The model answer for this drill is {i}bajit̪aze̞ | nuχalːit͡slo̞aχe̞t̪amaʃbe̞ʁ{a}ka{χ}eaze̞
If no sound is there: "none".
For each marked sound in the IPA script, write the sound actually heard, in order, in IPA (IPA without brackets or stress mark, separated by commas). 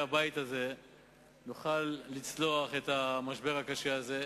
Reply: a, a, ʃ